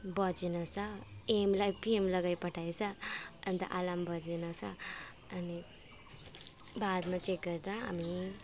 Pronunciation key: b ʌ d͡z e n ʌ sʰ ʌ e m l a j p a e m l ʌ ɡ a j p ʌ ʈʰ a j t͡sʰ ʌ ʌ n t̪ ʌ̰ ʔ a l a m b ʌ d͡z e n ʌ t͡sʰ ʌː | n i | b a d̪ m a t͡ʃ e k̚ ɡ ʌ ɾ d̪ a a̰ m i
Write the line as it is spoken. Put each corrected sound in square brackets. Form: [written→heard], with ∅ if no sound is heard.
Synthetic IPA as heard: b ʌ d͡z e n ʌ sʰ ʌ e m l a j p [a→i] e m l ʌ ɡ a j p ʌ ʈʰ a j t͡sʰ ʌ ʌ n t̪ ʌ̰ ʔ a l a m b ʌ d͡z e n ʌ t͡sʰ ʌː | n i | b a d̪ m a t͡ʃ e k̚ ɡ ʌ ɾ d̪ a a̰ m i